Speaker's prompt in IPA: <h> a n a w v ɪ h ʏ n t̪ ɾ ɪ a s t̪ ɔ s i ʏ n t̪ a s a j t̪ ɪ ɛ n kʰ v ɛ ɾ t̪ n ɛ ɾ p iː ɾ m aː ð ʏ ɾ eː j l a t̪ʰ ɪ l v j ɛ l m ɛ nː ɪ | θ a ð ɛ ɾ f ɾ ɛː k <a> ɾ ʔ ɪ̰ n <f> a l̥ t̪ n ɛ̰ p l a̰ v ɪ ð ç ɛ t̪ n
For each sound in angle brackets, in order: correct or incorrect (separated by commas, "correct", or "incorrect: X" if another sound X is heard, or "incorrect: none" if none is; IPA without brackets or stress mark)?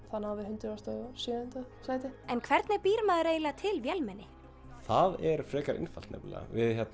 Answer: incorrect: θ, correct, correct